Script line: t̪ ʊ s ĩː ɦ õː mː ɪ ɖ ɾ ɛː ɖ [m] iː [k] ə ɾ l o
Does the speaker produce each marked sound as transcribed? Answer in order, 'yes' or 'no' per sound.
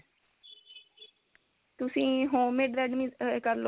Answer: yes, yes

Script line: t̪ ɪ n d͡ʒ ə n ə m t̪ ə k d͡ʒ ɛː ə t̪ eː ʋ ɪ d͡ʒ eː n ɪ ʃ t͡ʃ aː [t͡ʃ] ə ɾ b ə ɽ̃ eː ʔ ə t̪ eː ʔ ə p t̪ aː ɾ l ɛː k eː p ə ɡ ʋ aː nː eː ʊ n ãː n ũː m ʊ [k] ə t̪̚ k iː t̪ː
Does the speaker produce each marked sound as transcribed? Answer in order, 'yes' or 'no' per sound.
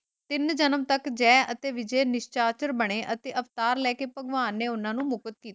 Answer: yes, yes

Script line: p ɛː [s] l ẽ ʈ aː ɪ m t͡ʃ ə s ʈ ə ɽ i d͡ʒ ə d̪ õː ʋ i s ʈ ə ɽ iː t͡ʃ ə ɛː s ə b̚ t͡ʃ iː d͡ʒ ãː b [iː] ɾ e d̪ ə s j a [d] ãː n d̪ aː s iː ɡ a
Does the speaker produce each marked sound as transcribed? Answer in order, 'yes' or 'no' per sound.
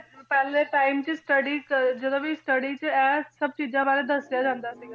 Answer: no, no, no

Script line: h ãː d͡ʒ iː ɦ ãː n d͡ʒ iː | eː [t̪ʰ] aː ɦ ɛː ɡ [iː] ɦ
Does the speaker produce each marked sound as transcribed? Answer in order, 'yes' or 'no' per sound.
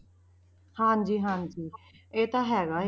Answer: no, no

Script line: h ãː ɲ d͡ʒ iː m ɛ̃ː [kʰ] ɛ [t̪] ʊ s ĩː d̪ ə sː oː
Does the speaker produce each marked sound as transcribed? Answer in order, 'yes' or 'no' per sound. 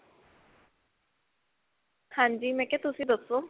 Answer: no, yes

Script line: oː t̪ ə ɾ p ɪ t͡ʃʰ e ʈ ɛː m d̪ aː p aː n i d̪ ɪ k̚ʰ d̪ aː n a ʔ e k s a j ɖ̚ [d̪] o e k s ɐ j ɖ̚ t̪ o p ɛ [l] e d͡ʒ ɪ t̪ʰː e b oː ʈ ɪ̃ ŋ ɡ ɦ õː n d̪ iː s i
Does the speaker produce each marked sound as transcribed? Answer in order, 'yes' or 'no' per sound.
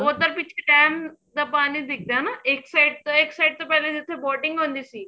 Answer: no, yes

